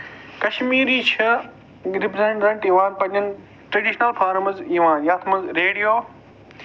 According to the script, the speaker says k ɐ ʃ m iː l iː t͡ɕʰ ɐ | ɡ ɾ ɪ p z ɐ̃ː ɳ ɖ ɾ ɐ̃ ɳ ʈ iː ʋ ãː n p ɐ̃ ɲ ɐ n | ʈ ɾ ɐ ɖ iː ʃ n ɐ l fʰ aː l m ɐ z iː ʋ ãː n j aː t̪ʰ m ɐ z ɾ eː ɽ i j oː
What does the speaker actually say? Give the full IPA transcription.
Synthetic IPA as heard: k ɐ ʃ m iː ɾ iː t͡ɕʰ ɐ | ɡ ɾ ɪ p z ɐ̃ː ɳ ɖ ɾ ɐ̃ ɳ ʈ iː ʋ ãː n p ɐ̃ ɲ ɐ n | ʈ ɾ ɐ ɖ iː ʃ n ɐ l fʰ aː ɾ m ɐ z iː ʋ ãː n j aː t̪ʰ m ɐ z ɾ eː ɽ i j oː